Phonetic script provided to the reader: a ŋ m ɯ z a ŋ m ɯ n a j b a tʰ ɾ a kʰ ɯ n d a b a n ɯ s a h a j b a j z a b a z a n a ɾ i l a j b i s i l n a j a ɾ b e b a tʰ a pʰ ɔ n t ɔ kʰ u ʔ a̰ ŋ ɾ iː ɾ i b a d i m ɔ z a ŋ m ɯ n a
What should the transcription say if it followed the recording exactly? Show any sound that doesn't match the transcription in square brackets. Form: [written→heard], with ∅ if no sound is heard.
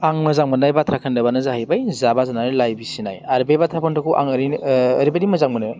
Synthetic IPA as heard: a ŋ m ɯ z a ŋ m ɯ n a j b a tʰ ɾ a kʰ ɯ n d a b a n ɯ [s→z] a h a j b a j z a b a z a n a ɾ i l a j b i s i [l→∅] n a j a ɾ b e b a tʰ a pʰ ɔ n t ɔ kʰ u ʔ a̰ ŋ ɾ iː ɾ i b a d i m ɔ z a ŋ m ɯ n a